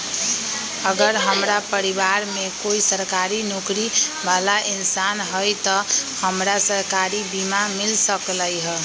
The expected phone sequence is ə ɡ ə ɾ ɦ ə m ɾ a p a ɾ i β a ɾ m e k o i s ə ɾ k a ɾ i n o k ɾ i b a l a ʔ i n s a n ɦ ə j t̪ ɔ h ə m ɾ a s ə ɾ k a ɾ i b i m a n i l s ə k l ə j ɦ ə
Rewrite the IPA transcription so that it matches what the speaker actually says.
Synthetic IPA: ə ɡ ə ɾ ɦ ə m ɾ a p ə ɾ i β a ɾ m e k o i s ə ɾ k a ɾ i n o k ɾ i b a l a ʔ i n s a n ɦ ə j t̪ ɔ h ə m ɾ a s ə ɾ k a ɾ i b i m a m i l s ə k l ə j ɦ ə